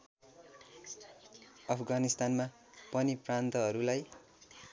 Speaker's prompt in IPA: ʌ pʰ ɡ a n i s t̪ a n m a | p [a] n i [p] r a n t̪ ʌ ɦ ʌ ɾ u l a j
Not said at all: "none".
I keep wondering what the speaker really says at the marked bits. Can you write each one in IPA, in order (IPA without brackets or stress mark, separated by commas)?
ʌ, p